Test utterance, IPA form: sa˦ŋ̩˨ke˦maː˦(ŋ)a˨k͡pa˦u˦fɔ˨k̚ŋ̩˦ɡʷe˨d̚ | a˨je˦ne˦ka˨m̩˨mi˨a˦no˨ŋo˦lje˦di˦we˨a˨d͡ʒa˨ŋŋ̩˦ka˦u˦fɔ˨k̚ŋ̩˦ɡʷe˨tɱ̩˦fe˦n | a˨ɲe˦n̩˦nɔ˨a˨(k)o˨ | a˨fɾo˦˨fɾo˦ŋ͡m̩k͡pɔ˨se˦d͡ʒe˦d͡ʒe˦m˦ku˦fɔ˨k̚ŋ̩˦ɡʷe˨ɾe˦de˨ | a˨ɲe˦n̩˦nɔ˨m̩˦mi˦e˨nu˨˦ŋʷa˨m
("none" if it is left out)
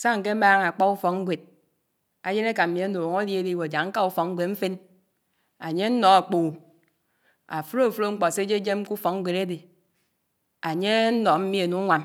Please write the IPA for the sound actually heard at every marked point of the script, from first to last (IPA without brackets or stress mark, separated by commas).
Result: ŋ, k͡p